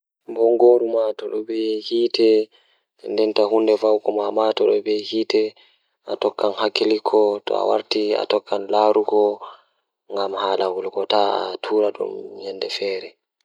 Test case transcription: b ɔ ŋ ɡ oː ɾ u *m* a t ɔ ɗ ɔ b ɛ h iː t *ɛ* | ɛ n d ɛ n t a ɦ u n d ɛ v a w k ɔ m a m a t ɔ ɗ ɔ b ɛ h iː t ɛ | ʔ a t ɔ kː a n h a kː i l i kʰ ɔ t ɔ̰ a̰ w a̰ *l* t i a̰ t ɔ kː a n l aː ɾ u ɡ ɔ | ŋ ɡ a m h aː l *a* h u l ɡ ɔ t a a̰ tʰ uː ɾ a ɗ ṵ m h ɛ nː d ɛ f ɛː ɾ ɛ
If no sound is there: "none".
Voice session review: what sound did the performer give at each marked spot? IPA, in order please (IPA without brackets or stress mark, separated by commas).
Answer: m, ɛ, ɾ, a